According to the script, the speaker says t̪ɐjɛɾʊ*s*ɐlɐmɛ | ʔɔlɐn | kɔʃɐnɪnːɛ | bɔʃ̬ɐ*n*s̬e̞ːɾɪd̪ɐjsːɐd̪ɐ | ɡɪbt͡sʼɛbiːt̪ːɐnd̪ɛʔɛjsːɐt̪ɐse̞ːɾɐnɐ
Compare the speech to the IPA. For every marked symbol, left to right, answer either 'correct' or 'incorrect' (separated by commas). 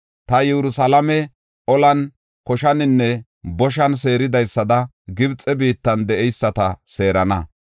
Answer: correct, correct